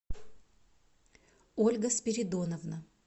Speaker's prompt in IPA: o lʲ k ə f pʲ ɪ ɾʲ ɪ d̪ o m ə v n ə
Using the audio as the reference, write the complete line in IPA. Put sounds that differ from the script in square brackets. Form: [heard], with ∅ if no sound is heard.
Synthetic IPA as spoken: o lʲ [ɡ] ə [s] pʲ ɪ ɾʲ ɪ d̪ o [n] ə v n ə